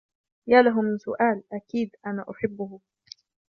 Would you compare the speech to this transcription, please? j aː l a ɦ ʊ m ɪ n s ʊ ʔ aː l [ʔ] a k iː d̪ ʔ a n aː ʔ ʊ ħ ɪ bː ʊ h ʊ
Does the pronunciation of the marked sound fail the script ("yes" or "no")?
no